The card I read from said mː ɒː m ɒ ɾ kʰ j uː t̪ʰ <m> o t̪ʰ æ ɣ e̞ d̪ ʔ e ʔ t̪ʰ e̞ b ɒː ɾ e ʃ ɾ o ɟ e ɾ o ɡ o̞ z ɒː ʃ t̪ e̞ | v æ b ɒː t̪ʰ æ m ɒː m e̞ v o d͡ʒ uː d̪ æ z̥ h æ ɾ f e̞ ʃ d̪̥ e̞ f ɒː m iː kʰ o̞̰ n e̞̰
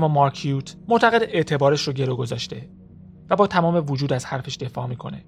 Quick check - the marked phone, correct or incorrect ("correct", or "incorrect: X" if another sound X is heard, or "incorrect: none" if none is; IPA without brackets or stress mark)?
correct